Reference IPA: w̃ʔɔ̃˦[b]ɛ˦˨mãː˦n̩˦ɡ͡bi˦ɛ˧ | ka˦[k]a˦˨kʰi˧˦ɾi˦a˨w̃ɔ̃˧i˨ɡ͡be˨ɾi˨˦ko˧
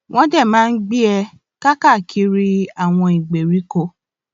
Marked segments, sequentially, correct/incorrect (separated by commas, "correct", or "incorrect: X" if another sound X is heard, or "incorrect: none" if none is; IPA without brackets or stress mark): incorrect: d, correct